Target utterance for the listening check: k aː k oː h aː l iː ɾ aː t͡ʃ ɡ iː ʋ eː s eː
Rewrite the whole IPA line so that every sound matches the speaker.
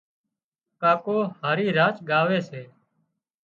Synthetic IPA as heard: k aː k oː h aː ɾ iː ɾ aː t͡ʃ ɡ aː ʋ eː s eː